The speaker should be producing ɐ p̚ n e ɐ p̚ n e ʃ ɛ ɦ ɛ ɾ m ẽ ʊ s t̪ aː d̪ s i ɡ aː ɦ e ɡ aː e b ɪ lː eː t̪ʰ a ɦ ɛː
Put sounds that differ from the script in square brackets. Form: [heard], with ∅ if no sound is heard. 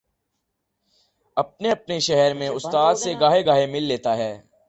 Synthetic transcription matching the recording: ɐ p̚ n e ɐ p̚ n e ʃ ɛ ɦ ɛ ɾ m ẽ ʊ s t̪ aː d̪ s [e] ɡ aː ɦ e ɡ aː e [m] ɪ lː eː [t̪] a ɦ ɛː